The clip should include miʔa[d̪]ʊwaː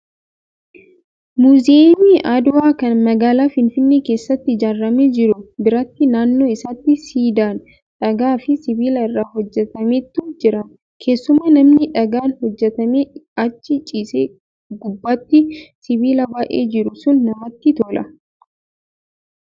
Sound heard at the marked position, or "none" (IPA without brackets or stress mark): d̪